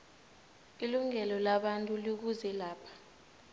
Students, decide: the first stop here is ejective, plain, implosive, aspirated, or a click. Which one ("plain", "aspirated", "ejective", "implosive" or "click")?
implosive